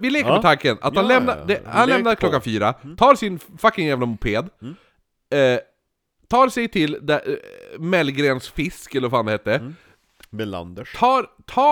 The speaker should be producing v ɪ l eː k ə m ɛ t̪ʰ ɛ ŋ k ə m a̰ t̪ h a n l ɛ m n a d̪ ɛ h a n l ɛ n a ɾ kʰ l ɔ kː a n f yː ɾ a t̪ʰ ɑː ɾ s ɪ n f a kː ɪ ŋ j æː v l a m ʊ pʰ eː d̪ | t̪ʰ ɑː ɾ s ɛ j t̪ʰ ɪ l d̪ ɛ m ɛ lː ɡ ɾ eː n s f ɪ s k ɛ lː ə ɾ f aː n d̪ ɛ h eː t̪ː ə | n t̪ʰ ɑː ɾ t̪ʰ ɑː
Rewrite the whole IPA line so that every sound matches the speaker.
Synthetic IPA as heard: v ɪ l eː k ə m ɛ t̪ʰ a ŋ k ə n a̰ t̪ h a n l ɛ m n a d̪ ɛ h a n l ɛ n a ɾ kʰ l ɔ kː a n f yː ɾ a t̪ʰ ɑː ɾ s ɪ n f a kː ɪ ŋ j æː v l a m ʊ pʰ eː d̪ | t̪ʰ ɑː ɾ s ɛ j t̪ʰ ɪ l d̪ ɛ m ɛ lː ɡ ɾ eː n s f ɪ s k ɛ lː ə ɾ f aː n d̪ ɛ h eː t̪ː ə | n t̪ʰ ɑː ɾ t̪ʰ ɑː